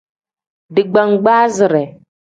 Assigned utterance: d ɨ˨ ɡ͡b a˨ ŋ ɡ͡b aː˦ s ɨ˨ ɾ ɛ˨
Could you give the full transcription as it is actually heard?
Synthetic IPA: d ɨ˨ ɡ͡b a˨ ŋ ɡ͡b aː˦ z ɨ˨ ɾ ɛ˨